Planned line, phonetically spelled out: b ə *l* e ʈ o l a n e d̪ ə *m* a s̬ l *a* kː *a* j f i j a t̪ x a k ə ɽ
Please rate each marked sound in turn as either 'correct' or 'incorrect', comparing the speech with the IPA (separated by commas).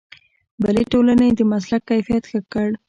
correct, correct, correct, correct